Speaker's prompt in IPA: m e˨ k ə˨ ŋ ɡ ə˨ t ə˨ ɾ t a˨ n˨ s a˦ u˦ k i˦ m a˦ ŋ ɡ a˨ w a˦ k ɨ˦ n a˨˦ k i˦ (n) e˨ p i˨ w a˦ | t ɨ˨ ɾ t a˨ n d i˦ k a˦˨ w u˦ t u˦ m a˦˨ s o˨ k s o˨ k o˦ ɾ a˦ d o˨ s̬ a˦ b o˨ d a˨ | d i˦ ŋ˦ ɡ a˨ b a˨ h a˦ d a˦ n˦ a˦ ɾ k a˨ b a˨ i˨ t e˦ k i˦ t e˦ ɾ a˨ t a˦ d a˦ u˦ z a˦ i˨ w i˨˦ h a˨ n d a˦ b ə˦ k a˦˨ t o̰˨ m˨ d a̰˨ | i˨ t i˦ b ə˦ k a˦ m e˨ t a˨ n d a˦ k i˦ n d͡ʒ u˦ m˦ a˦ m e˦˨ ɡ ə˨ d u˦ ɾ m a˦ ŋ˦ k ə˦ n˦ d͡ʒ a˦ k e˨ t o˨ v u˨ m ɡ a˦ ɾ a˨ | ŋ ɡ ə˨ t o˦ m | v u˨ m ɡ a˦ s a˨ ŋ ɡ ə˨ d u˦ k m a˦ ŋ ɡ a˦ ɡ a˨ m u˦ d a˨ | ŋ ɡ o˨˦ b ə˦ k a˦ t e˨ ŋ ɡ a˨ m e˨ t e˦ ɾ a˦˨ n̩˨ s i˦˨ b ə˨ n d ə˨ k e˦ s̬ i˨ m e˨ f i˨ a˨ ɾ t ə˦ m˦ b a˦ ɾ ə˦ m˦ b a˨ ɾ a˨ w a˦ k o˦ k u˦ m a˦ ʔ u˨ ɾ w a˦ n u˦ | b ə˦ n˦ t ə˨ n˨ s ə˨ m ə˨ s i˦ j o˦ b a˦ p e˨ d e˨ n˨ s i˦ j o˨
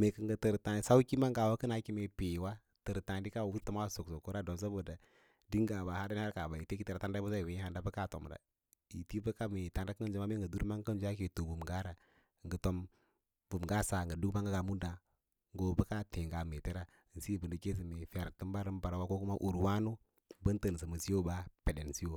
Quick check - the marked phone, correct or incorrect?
incorrect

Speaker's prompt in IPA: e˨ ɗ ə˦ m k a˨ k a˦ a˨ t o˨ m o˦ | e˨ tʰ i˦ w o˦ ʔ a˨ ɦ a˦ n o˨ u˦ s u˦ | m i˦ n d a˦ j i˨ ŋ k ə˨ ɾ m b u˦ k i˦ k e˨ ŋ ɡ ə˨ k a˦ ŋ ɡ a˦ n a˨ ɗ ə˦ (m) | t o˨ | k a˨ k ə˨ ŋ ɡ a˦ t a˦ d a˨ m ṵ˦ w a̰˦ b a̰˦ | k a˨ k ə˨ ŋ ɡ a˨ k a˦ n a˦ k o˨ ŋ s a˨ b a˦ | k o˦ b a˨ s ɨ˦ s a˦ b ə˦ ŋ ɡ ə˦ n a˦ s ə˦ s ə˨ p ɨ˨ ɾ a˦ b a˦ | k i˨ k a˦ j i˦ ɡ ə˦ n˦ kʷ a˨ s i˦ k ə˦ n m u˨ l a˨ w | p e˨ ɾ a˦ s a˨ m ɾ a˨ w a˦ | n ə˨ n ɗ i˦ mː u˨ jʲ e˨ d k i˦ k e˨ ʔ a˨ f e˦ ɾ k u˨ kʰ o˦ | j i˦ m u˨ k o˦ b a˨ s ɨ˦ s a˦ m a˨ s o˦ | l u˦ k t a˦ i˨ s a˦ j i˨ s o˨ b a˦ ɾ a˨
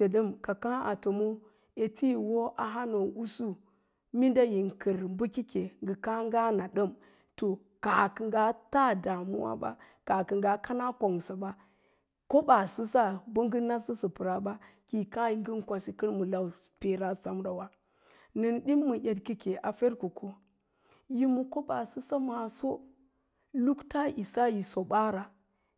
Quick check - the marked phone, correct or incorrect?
correct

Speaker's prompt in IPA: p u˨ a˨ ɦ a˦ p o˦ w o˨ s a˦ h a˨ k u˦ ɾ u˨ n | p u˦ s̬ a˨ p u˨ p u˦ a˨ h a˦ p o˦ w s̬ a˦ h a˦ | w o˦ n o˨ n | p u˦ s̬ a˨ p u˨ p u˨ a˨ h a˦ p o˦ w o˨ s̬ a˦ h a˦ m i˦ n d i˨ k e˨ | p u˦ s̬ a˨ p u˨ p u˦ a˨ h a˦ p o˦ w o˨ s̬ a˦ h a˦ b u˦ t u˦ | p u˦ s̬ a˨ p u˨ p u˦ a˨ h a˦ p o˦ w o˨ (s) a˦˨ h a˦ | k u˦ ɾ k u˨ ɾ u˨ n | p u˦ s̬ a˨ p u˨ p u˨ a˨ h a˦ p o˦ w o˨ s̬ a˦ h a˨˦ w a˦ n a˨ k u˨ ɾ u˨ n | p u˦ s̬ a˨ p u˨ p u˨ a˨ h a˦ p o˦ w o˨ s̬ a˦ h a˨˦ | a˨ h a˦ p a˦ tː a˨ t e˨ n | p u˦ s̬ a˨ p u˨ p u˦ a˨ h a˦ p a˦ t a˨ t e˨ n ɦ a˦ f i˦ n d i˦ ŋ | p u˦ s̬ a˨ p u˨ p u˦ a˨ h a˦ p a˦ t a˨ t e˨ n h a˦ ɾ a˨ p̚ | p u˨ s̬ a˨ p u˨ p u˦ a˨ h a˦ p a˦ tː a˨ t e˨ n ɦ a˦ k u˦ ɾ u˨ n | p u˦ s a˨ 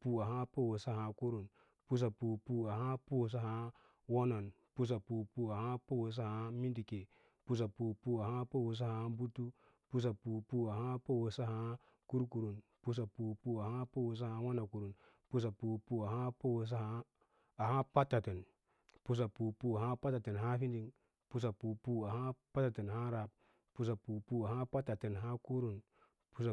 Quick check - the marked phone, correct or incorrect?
correct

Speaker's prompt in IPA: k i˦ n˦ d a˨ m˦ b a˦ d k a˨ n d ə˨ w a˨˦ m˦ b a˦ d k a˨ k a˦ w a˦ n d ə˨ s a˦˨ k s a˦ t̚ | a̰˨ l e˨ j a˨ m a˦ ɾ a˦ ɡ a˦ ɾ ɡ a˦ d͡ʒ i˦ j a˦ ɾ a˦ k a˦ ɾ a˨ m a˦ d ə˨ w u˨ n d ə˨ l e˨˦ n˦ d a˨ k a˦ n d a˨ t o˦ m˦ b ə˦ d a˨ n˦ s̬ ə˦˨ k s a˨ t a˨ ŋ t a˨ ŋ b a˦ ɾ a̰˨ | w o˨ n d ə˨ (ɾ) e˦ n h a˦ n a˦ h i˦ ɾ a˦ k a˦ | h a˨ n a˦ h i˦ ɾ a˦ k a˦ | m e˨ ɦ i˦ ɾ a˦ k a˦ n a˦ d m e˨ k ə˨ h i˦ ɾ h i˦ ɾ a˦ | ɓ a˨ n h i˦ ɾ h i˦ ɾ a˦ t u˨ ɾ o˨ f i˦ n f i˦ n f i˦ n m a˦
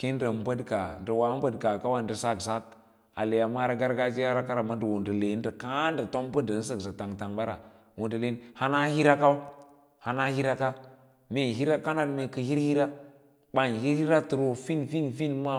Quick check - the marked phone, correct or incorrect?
incorrect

